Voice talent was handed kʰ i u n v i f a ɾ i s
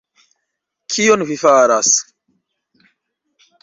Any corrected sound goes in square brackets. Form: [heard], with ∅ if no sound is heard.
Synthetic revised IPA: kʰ i [o] n v i f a ɾ [a] s